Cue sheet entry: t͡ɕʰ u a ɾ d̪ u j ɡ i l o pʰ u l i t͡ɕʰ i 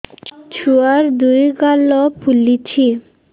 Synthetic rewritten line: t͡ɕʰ u a ɾ d̪ u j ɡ a l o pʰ u l i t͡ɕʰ i